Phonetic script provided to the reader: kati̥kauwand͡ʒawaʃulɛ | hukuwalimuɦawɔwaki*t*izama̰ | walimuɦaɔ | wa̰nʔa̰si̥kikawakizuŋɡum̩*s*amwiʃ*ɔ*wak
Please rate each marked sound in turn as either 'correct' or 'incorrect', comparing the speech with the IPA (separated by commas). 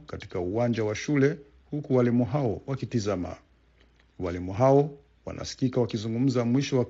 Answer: correct, incorrect, correct